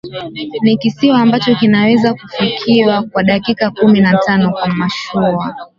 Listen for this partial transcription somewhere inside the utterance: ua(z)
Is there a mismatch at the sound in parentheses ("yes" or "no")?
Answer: yes